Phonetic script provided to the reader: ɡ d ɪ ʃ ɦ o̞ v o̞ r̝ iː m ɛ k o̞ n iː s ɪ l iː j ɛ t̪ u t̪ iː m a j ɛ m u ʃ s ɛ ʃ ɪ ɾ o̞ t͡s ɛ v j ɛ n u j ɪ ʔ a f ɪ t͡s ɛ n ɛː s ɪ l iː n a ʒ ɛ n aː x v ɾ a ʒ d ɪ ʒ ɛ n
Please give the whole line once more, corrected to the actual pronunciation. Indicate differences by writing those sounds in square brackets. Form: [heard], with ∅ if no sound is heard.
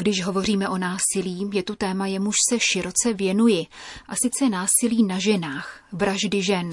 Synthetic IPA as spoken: ɡ d ɪ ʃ ɦ o̞ v o̞ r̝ iː m ɛ [ʔ] o̞ n [aː] s ɪ l iː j ɛ t̪ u t̪ [ɛː] m a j ɛ m u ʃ s ɛ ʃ ɪ ɾ o̞ t͡s ɛ v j ɛ n u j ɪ ʔ a [s] ɪ t͡s ɛ n [aː] s ɪ l iː n a ʒ ɛ n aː x v ɾ a ʒ d ɪ ʒ ɛ n